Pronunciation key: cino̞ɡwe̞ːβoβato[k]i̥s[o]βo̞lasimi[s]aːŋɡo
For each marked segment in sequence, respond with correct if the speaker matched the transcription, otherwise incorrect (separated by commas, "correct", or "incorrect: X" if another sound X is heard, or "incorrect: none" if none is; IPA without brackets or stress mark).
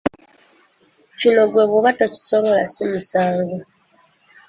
incorrect: c, correct, correct